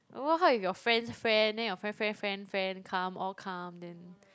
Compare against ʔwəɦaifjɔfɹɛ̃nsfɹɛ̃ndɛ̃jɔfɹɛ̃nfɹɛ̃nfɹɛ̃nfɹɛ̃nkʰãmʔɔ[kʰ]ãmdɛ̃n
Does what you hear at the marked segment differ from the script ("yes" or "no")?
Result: no